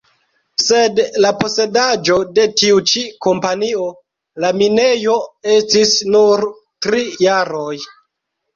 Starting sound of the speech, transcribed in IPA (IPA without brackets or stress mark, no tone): s